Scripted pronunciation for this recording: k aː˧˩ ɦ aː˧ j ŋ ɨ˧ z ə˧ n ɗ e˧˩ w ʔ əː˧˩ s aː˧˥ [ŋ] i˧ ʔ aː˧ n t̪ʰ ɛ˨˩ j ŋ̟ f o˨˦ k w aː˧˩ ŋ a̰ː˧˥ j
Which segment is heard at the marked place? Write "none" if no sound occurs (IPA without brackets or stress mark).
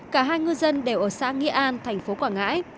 ŋ